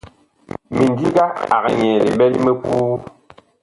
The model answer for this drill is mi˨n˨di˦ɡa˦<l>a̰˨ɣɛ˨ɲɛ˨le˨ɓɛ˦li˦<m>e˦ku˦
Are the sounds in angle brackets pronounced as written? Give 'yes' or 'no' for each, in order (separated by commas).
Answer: no, yes